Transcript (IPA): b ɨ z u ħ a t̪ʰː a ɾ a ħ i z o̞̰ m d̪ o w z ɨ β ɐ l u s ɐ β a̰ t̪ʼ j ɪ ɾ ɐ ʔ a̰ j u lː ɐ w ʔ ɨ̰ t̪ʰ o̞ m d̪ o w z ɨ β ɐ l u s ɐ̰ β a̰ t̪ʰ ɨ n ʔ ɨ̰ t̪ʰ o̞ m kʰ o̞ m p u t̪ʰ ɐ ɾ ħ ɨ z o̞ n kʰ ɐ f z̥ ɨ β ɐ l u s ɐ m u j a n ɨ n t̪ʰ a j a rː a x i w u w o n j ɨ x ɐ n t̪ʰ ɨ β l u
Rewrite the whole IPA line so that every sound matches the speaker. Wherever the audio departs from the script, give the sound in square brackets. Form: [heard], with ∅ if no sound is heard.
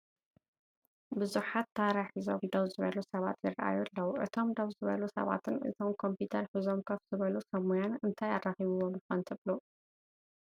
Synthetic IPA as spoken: b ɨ z u ħ a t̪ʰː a ɾ a ħ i z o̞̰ m d̪ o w z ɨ β ɐ l u s ɐ β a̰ [t̪] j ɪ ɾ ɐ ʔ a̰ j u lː ɐ w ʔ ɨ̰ t̪ʰ o̞ m d̪ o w z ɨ β ɐ l u s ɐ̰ β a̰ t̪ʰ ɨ n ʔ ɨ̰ t̪ʰ o̞ m kʰ o̞ m p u t̪ʰ ɐ ɾ ħ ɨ z o̞ [m] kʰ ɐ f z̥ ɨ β ɐ l u s ɐ m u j a n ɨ n t̪ʰ a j a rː a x i [β] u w o [m] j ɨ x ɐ n t̪ʰ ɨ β l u